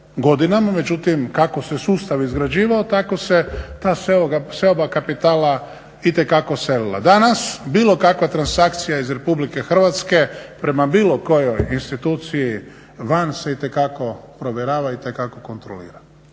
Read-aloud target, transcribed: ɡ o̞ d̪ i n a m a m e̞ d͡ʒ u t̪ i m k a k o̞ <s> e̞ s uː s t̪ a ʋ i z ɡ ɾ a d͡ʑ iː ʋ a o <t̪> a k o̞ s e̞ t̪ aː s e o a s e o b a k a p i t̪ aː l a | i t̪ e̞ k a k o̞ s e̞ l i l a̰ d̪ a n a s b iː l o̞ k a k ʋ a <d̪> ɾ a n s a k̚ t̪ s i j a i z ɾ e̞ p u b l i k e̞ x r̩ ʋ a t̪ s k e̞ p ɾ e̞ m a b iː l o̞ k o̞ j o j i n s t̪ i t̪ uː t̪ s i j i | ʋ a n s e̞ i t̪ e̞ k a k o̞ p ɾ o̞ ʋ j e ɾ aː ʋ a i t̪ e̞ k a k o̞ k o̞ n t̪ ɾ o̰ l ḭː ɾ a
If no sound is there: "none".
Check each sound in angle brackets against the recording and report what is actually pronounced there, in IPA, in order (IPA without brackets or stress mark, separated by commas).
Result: s, t̪, t̪